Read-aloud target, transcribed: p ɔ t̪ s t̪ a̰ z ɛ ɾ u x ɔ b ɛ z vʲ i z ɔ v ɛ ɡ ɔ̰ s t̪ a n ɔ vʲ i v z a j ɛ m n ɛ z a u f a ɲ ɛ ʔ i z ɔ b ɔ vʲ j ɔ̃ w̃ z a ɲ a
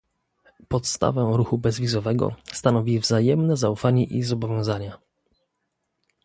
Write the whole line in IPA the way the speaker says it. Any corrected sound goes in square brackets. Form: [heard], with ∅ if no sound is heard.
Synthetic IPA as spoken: p ɔ t̪ s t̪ a̰ [v] ɛ ɾ u x [u] b ɛ z vʲ i z ɔ v ɛ ɡ ɔ̰ s t̪ a n ɔ vʲ i v z a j ɛ m n ɛ z a u f a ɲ ɛ ʔ i z ɔ b ɔ vʲ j ɔ̃ w̃ z a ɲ a